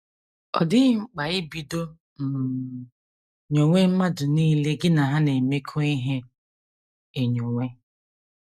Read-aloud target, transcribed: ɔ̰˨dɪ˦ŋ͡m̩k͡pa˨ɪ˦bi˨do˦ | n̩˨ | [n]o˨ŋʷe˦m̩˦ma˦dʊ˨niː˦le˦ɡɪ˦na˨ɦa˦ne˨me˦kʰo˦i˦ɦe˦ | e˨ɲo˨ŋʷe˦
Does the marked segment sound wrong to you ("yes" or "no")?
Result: yes